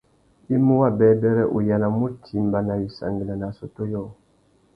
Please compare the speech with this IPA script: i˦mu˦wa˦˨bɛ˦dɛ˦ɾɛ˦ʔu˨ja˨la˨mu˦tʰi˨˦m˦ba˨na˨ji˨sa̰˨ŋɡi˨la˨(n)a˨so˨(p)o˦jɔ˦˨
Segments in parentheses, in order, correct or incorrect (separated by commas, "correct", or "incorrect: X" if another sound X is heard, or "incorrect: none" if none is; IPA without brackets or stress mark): correct, incorrect: t